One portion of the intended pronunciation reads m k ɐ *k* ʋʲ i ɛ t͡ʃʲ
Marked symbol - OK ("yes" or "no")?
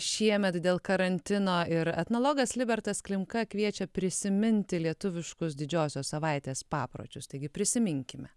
yes